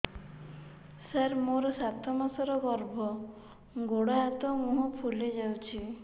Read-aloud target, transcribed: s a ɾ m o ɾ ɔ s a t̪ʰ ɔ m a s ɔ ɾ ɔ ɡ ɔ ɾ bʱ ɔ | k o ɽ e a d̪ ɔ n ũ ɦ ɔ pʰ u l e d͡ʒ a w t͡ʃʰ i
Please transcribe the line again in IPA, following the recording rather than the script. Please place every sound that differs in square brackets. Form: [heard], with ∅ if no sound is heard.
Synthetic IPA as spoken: s a ɾ m o ɾ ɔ s a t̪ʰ ɔ m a s ɔ ɾ ɔ ɡ ɔ ɾ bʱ ɔ | [ɡ] o ɽ [a] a [t̪] ɔ [m] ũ ɦ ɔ pʰ u l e d͡ʒ a w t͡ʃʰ i